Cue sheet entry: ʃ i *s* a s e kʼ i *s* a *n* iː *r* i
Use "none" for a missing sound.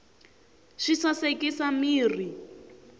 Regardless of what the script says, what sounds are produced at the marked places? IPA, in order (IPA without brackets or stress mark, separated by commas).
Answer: s, s, m, r